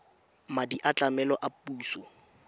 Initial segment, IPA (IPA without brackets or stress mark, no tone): m